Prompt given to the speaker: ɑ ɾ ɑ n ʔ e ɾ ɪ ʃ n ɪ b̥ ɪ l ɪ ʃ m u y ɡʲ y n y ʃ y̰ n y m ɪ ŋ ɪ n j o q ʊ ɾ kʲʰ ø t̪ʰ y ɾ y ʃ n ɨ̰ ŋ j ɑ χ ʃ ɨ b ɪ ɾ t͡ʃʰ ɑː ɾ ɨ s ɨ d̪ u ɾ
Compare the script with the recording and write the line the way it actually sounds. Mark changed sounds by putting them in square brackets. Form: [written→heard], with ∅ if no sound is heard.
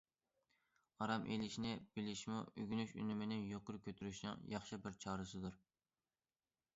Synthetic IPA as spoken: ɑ ɾ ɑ [n→m] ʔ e [ɾ→l] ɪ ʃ n ɪ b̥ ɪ l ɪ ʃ m u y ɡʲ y n y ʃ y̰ n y m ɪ [ŋ→n] ɪ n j o q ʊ ɾ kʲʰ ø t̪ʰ y ɾ y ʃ n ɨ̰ ŋ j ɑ χ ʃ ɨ b ɪ ɾ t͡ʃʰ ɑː ɾ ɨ s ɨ d̪ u ɾ